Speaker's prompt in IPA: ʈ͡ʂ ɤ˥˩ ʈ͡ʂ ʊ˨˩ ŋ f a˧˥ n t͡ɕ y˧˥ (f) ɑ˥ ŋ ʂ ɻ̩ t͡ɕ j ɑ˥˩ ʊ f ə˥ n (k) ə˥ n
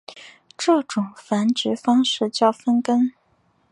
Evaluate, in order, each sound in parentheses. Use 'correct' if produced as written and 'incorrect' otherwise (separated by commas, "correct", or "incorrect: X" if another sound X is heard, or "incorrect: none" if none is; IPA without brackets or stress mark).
correct, correct